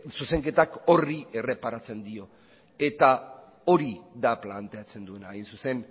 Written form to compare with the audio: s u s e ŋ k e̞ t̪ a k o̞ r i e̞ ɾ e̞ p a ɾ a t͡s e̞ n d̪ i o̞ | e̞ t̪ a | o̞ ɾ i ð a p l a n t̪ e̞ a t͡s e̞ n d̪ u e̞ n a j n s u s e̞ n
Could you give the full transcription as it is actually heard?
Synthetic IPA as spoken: s u s e ŋ k e̞ t̪ a k o̞ r i e̞ r e̞ p a ɾ a t͡s e̞ n d̪ i o̞ | e̞ t̪ a | o̞ ɾ i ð a p l a n t̪ e̞ a t͡s e̞ n d̪ u e̞ n a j n s u s e̞ n